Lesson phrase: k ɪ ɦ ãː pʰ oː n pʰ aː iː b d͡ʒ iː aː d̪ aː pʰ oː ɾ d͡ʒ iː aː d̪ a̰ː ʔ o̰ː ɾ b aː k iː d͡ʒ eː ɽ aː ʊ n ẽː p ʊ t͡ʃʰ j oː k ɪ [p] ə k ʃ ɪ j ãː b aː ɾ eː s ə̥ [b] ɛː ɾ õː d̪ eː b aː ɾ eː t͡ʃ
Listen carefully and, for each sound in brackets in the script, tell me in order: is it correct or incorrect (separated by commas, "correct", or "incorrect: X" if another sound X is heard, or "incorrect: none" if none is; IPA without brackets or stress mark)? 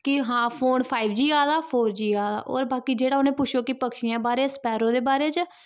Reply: correct, incorrect: p